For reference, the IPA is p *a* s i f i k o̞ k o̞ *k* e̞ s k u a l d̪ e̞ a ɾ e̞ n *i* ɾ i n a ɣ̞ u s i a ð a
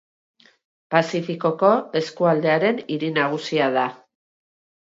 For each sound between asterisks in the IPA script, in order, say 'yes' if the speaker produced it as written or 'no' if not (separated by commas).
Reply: yes, no, yes